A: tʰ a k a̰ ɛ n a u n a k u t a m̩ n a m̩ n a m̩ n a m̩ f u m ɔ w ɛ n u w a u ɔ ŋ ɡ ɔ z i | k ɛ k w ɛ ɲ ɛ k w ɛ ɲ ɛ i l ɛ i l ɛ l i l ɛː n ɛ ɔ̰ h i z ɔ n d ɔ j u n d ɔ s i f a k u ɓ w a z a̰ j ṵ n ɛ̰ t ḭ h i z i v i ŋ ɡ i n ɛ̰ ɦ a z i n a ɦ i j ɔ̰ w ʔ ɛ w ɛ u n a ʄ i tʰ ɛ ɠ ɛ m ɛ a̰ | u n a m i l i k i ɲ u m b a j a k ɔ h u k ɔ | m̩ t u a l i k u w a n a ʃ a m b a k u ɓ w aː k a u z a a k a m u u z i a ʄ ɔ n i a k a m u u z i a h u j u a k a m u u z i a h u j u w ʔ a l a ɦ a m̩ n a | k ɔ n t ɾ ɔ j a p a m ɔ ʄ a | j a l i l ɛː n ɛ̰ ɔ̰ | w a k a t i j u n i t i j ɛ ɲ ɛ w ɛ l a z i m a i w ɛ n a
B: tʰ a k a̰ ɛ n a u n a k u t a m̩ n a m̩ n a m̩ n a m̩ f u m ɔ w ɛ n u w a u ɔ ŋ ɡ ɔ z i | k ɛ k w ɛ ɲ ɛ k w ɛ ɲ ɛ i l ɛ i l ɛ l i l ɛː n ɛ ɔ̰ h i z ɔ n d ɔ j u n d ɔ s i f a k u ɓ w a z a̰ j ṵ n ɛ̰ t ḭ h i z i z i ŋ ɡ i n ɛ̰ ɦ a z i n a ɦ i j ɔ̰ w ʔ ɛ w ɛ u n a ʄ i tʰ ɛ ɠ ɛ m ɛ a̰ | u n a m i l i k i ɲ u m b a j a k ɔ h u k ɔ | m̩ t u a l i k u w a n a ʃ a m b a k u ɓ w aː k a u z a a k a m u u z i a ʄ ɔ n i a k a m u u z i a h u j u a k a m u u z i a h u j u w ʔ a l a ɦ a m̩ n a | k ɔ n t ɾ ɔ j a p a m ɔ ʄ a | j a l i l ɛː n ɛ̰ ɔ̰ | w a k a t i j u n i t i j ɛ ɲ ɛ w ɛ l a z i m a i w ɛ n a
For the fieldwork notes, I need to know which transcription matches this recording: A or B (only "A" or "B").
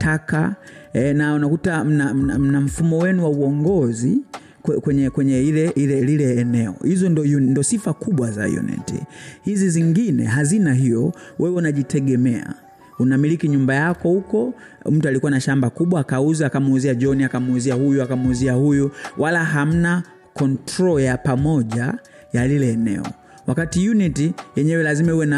B